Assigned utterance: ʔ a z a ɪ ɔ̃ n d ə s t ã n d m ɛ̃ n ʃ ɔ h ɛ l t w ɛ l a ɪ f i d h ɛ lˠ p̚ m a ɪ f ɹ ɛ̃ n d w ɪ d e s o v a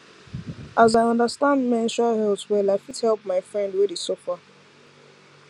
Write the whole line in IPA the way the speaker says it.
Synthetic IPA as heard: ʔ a z a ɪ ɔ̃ n d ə s t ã n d m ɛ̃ n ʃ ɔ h ɛ l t w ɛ l a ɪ f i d h ɛ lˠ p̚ m a ɪ f ɹ ɛ̃ n d w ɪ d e s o f a